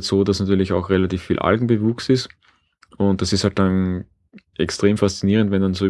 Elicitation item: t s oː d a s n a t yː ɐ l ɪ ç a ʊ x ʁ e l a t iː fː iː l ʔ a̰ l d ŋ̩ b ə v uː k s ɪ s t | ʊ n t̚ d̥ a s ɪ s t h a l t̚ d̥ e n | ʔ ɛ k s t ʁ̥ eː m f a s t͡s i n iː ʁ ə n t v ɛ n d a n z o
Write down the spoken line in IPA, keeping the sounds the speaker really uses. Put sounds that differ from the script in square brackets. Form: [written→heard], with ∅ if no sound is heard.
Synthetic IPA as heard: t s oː d a s n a t yː ɐ l ɪ ç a ʊ x ʁ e l a t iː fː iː l ʔ a̰ l [d→ɡ] ŋ̩ b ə v uː k s ɪ s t | ʊ n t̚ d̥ a s ɪ s t h a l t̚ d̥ [e→a] n | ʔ ɛ k s t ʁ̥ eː m f a s t͡s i n iː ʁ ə n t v ɛ n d a n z o